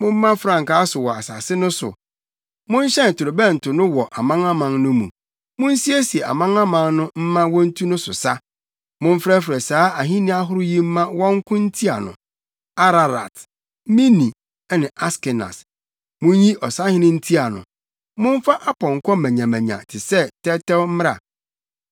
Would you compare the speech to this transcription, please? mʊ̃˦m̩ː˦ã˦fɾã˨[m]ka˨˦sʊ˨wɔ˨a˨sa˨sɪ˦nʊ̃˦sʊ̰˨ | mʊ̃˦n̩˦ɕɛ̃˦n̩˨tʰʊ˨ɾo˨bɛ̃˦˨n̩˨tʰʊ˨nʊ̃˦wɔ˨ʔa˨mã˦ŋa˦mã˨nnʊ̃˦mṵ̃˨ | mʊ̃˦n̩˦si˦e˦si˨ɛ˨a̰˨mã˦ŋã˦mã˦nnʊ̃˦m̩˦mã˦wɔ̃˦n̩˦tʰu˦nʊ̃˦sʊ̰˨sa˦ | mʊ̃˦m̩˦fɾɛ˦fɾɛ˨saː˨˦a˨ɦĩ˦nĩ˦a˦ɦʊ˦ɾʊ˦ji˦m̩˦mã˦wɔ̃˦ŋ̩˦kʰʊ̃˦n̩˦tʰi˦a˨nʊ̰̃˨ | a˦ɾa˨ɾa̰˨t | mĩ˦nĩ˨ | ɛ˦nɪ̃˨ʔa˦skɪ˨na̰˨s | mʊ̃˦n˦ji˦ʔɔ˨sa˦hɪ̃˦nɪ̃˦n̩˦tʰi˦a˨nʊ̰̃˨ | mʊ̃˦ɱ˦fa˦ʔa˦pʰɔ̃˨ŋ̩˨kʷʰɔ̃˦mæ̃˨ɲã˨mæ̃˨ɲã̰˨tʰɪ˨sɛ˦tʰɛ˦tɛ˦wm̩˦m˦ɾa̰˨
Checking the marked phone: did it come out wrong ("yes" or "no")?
yes